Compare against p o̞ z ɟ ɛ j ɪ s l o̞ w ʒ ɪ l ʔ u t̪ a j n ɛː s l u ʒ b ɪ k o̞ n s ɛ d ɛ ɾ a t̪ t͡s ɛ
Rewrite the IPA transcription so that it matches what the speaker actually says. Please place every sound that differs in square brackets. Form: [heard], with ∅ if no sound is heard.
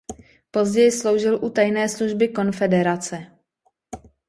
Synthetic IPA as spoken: p o̞ z ɟ ɛ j ɪ s l o̞ w ʒ ɪ l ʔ u t̪ a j n ɛː s l u ʒ b ɪ k o̞ n [f] ɛ d ɛ ɾ a [∅] t͡s ɛ